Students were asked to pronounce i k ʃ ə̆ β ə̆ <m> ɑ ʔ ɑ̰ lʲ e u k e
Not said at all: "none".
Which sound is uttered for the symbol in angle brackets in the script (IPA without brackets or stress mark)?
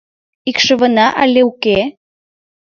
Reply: n